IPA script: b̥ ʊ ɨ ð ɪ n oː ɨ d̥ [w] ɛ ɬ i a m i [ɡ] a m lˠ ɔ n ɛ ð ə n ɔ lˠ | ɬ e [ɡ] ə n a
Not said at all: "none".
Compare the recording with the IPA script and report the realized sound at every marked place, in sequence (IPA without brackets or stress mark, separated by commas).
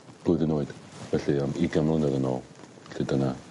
v, ɡ, d